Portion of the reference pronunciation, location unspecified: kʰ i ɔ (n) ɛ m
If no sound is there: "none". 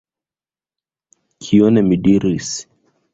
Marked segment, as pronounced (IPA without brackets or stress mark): n